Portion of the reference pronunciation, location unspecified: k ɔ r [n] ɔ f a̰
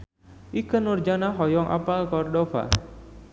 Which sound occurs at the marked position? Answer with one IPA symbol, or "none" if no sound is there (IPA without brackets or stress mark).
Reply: d